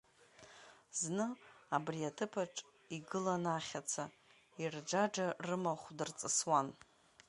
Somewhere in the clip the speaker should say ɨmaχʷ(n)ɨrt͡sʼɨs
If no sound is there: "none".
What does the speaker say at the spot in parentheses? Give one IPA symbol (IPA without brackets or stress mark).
d